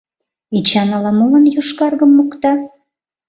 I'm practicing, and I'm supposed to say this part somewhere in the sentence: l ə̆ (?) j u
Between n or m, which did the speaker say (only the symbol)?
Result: n